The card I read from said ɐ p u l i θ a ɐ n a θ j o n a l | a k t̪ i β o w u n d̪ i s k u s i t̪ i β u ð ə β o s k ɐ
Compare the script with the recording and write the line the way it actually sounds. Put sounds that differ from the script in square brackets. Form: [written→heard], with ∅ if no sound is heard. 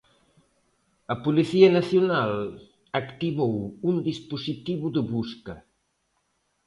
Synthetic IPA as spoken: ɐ p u l i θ [a→i] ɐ n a θ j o n a l | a k t̪ i β o w u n d̪ i s [k→p] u s i t̪ i β u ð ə β [o→u] s k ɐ